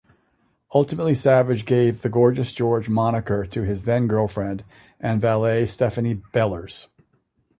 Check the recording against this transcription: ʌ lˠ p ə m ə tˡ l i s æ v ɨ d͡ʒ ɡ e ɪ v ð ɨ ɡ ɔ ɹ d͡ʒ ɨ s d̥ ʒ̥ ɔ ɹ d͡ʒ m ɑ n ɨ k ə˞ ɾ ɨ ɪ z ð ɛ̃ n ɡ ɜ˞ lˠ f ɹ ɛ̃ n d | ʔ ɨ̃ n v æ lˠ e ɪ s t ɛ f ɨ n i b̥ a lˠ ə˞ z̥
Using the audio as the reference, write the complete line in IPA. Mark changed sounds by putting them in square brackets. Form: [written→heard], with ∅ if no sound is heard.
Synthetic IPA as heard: ʌ lˠ [p→t] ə m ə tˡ l i s æ v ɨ d͡ʒ ɡ e ɪ v ð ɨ ɡ ɔ ɹ d͡ʒ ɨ s d̥ ʒ̥ ɔ ɹ d͡ʒ m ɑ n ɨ k ə˞ ɾ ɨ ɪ z ð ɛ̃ n ɡ ɜ˞ lˠ f ɹ ɛ̃ n d | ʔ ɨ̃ n v æ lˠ e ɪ s t ɛ f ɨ n i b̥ [a→ɛ] lˠ ə˞ z̥